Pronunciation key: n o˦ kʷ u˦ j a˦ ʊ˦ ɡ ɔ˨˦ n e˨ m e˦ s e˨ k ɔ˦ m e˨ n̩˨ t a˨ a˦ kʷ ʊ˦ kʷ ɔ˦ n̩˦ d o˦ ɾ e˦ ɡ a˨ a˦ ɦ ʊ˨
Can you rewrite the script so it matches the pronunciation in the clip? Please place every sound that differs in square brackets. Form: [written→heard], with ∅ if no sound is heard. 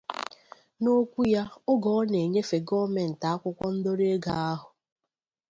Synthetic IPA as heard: n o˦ kʷ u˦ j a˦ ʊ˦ ɡ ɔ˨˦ n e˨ [m→ɲ] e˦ [s→f] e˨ [k→ɡ] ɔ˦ m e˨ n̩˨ t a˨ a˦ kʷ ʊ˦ kʷ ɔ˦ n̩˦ d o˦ ɾ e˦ ɡ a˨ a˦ ɦ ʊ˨